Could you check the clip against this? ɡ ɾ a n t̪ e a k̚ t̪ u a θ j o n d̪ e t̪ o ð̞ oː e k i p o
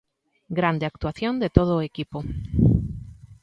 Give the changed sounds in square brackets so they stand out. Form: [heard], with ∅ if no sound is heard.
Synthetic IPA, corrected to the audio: ɡ ɾ a n [d̪] e a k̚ t̪ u a θ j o n d̪ e t̪ o ð̞ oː e k i p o